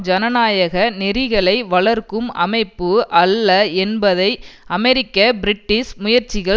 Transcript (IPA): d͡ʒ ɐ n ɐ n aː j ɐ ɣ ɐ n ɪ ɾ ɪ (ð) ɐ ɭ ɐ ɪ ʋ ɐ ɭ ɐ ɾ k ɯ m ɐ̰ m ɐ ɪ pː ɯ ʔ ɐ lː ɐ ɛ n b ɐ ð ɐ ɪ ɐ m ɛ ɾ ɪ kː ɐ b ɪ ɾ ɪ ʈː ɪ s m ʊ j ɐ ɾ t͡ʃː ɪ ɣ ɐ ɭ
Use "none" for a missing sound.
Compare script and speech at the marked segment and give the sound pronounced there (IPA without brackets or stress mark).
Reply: ɣ